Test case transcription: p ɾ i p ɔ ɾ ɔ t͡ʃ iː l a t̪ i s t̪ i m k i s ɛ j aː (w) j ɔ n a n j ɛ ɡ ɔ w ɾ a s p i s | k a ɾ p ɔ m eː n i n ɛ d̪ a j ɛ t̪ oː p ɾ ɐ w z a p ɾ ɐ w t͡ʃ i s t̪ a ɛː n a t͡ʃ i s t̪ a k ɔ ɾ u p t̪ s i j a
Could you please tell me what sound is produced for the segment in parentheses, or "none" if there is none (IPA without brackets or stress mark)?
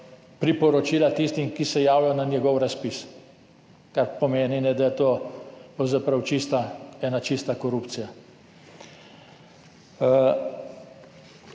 w